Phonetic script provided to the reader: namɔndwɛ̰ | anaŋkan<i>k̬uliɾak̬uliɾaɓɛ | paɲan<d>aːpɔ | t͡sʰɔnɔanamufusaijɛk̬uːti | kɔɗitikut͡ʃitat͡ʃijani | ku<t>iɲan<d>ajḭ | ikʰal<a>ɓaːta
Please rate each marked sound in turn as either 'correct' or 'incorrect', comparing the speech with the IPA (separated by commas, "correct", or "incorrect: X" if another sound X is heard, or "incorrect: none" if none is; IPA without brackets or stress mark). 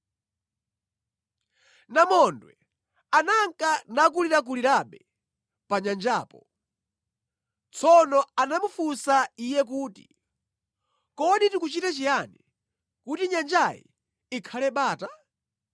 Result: incorrect: a, incorrect: d͡ʒ, correct, incorrect: d͡ʒ, incorrect: ɛ